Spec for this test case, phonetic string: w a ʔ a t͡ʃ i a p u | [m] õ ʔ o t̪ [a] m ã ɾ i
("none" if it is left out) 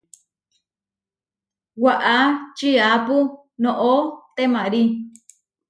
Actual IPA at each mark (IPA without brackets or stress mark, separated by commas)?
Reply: n, e